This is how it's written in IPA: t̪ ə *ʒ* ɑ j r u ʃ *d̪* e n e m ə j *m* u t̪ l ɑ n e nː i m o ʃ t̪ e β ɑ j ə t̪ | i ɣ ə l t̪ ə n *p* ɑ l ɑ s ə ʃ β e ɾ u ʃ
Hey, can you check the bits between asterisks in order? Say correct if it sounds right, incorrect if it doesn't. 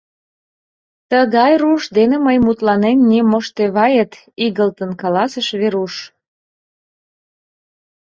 incorrect: ɣ, correct, correct, incorrect: k

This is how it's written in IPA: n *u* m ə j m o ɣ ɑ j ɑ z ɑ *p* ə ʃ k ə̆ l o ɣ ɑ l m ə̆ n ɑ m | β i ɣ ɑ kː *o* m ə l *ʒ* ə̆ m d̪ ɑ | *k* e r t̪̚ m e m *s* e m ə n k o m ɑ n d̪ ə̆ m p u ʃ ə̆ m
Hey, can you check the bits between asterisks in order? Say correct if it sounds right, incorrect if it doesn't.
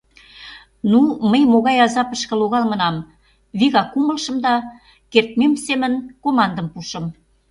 correct, correct, incorrect: u, incorrect: ʃ, correct, correct

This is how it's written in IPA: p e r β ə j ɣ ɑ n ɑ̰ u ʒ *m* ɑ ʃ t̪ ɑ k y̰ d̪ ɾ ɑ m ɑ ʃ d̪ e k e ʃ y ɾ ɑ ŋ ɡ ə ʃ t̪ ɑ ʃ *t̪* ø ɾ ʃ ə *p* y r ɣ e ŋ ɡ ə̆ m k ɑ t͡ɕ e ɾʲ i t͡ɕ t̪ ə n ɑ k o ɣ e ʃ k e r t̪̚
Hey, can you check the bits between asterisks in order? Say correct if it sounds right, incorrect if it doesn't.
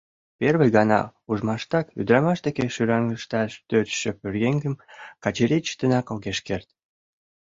correct, correct, correct

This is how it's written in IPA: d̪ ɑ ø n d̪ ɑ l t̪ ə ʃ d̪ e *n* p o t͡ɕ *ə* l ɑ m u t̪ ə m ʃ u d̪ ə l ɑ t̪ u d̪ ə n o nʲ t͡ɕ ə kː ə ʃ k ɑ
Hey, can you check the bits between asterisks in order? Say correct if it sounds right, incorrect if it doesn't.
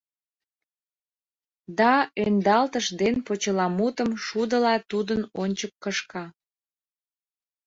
correct, correct

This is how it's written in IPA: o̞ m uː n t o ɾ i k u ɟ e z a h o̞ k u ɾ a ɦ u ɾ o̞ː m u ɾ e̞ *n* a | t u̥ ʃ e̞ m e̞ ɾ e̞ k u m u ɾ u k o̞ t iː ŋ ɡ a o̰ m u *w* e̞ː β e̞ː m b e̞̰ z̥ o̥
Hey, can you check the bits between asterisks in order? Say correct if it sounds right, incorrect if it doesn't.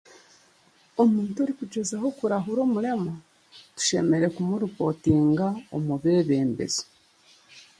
incorrect: m, incorrect: β

